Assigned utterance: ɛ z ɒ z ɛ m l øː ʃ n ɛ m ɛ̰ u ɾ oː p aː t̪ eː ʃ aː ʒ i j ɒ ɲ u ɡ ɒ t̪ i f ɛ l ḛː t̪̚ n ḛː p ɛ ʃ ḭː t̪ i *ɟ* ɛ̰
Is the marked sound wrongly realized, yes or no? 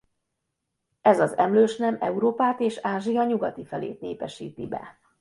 yes